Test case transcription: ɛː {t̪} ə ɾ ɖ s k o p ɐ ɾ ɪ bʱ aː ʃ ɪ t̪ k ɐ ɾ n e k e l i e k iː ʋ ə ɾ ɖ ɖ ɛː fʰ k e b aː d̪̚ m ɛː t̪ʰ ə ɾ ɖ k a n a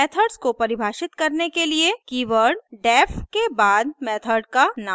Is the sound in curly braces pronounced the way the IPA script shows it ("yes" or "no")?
no